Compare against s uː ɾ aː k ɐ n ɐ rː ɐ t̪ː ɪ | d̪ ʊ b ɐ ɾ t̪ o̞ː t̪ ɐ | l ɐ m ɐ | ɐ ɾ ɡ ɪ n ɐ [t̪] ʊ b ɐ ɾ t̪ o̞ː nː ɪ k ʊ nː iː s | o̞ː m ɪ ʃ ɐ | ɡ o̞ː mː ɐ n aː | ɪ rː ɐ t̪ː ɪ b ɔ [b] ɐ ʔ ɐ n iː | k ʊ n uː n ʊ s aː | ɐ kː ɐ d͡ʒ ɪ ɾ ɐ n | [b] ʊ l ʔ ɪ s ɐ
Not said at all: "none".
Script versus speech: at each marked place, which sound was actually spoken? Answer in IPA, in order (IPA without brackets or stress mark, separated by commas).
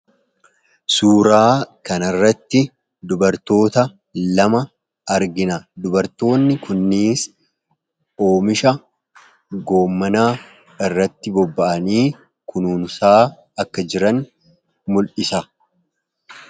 d̪, bː, m